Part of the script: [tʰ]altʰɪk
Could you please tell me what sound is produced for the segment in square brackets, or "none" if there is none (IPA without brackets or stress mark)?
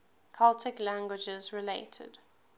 kʰ